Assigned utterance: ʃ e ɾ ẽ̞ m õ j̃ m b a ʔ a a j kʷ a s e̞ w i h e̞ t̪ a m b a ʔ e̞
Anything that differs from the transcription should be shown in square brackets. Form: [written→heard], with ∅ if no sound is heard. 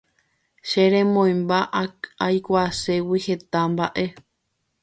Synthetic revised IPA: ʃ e ɾ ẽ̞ m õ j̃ m b a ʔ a a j kʷ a s e̞ w i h e̞ t̪ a m b a ʔ e̞